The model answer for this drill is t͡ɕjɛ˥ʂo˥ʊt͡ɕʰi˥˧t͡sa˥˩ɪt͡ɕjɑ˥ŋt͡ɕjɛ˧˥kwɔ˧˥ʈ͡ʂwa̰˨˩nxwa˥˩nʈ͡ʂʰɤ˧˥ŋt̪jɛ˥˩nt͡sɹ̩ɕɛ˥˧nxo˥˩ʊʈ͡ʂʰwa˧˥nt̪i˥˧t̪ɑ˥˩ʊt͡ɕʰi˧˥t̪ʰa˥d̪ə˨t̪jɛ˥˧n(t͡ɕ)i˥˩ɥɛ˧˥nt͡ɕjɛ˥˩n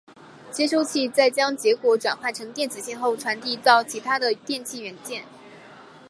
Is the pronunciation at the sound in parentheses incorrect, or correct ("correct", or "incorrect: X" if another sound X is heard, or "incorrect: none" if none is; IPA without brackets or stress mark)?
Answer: incorrect: t͡ɕʰ